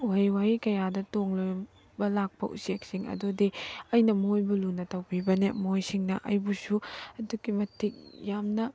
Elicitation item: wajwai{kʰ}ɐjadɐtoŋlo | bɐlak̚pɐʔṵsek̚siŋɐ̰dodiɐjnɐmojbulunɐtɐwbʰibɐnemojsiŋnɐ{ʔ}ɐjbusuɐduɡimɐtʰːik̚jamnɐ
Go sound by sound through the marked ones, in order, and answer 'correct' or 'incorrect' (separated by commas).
incorrect, correct